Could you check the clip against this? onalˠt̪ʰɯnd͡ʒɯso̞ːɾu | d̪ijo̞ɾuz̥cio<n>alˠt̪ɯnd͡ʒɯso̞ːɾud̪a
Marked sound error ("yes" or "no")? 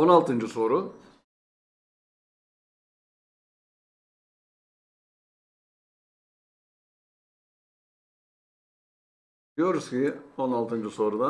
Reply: no